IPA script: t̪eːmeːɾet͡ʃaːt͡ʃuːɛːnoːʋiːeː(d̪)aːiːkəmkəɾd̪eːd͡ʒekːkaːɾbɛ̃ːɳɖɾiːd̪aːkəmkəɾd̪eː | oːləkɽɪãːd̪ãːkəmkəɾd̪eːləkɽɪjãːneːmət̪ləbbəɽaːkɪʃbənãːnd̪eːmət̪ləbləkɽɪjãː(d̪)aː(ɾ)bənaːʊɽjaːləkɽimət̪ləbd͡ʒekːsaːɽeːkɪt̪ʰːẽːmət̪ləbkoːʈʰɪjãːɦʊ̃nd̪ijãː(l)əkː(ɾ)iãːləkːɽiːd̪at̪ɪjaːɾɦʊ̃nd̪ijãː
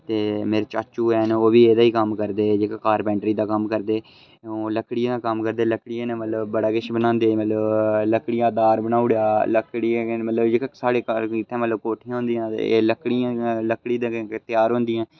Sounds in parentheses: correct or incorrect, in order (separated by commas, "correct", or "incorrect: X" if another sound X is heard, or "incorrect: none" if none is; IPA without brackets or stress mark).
correct, correct, correct, correct, incorrect: ɽ